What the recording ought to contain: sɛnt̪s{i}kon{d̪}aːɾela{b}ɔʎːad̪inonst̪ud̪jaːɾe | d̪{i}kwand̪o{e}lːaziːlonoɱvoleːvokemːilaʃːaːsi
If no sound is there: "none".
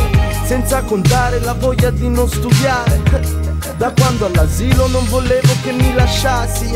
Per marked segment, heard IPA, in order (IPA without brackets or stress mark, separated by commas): a, t̪, v, a, a